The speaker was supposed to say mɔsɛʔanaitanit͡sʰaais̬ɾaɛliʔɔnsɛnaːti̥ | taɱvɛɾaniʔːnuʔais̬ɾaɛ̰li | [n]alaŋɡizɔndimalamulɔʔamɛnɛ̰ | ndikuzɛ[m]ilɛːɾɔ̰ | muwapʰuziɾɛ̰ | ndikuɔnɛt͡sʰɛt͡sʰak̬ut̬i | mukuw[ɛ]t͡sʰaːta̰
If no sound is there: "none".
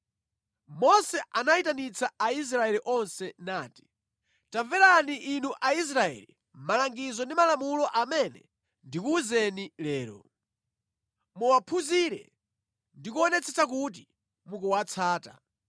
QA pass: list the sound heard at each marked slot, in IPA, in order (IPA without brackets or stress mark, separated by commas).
m, n, a